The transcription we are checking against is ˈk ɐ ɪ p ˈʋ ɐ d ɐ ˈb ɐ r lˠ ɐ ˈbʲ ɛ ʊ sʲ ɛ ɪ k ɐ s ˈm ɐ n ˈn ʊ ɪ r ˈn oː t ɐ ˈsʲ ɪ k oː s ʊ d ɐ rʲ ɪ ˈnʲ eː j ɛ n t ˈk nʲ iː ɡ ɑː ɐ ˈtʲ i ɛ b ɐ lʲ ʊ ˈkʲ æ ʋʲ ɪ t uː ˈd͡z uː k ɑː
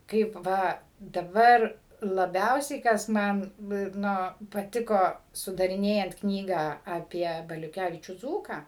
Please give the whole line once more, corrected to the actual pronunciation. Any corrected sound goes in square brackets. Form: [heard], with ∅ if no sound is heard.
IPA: ˈk ɐ ɪ p ˈʋ ɐ d ɐ ˈb ɐ r lˠ ɐ ˈbʲ ɛ ʊ sʲ ɛ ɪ k ɐ s ˈm ɐ n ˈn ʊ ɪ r ˈn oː [p] ɐ [ˈtʲ] ɪ k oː s ʊ d ɐ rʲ ɪ ˈnʲ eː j ɛ n t ˈk nʲ iː ɡ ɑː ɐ [ˈpʲ] i ɛ b ɐ lʲ ʊ ˈkʲ æ ʋʲ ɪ [t͡ʃʲ] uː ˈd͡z uː k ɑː